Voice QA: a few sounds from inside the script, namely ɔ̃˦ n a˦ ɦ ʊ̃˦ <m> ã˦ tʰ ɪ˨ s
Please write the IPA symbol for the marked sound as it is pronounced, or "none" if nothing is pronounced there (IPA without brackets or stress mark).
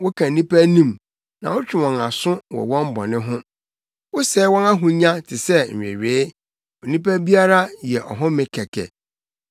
ɲ